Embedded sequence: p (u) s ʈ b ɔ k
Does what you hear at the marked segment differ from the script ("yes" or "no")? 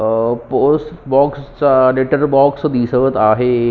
yes